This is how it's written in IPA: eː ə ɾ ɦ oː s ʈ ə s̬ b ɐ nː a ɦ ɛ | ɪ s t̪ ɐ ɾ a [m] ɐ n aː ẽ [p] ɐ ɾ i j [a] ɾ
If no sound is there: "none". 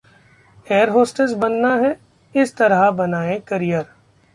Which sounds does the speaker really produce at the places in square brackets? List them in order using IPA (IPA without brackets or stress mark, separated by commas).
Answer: b, k, ə